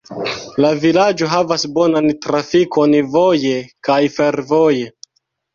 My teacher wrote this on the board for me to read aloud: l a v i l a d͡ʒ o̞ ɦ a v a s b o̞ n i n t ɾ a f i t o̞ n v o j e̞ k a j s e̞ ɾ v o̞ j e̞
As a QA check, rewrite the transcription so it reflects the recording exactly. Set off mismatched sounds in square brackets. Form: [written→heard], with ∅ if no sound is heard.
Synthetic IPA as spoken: l a v i l a d͡ʒ o̞ ɦ a v a s b o̞ n [i→a] n t ɾ a f i [t→k] o̞ n v o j e̞ k a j [s→f] e̞ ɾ v o̞ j e̞